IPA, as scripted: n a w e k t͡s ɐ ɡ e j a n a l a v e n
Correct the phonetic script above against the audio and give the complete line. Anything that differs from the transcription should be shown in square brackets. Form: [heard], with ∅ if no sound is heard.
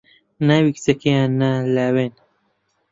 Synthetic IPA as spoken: n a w [i] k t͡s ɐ [k] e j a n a l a [w] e n